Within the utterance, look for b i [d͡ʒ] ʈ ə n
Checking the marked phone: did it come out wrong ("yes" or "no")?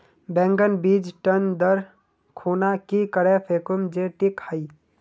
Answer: no